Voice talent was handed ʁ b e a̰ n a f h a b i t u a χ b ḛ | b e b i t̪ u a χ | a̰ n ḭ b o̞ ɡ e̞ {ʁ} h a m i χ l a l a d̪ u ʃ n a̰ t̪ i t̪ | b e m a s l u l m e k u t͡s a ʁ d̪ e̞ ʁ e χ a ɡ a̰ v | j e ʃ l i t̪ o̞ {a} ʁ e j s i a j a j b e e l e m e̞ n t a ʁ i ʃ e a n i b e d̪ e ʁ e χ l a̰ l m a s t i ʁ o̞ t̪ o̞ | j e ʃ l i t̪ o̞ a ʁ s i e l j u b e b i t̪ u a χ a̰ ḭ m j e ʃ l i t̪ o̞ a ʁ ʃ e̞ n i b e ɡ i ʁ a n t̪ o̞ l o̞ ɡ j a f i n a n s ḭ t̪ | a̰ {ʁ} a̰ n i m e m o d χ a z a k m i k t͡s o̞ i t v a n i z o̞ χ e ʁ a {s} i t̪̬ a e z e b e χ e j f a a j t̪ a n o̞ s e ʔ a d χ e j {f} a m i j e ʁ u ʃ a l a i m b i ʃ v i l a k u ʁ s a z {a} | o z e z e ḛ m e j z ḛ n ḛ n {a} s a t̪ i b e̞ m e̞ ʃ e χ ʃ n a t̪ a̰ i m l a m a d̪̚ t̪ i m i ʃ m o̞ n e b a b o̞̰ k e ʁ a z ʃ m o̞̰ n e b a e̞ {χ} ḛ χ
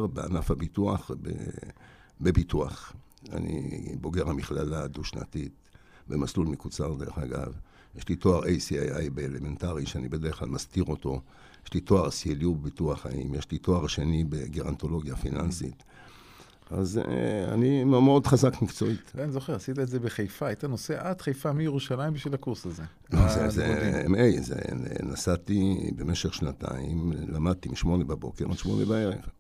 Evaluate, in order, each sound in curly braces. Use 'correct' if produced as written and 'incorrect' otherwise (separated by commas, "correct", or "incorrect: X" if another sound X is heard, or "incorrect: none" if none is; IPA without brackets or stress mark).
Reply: correct, correct, incorrect: z, correct, correct, incorrect: e, correct, incorrect: ʁ